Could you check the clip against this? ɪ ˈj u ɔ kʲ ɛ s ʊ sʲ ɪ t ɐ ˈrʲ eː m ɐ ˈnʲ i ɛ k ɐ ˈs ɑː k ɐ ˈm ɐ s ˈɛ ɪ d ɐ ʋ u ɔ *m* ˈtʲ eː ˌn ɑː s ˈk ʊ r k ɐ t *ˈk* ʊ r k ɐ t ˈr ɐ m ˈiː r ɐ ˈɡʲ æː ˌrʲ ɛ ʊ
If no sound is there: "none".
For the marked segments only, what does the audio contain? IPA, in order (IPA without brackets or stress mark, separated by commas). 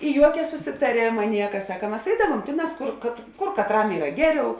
m, k